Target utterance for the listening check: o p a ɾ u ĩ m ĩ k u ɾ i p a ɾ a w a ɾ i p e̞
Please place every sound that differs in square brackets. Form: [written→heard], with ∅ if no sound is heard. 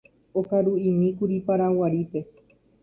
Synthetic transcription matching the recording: o [p→k] a ɾ u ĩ m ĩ k u ɾ i p a ɾ a w a ɾ i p e̞